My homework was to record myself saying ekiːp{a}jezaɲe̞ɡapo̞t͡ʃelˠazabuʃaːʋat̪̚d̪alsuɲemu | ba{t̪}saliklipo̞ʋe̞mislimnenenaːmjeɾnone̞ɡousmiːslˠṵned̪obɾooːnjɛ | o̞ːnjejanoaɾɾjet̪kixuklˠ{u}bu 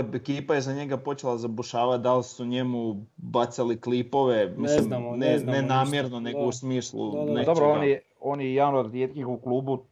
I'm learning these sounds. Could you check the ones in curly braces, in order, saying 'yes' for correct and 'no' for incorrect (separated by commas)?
yes, yes, no